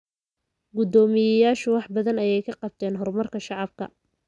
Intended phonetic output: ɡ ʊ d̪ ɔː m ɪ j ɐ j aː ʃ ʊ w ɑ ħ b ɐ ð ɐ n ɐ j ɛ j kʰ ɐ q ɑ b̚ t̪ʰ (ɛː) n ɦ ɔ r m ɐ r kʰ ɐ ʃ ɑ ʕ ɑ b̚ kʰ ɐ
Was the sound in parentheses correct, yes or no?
yes